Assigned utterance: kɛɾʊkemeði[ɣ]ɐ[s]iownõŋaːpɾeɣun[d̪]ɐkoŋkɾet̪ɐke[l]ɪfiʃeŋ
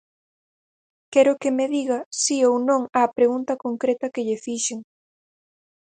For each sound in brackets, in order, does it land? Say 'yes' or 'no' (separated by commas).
yes, yes, no, no